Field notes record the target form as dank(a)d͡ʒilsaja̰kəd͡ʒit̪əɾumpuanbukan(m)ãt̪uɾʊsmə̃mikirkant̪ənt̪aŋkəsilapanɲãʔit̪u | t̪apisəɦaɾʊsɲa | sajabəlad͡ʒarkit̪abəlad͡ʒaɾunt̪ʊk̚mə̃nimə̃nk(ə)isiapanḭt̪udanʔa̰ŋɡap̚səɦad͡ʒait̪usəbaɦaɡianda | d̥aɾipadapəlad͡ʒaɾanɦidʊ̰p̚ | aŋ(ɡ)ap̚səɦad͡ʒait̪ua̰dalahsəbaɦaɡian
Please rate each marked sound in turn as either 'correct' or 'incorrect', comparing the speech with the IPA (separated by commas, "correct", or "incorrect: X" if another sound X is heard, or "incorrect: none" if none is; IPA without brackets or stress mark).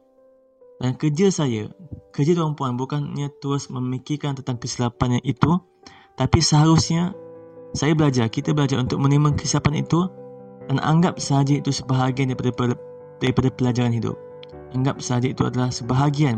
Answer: incorrect: ə, incorrect: ɲ, correct, correct